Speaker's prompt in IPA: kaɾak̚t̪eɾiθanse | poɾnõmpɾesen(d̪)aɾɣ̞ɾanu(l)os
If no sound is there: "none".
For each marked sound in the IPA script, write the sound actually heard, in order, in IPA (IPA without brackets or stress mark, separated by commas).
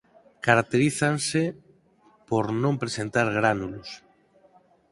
t̪, l